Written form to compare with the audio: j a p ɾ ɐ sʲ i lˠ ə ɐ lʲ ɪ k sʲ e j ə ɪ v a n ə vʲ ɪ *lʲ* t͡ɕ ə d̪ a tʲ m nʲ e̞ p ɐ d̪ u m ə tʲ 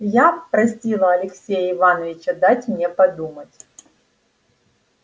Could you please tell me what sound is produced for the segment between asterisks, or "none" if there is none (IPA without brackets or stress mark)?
none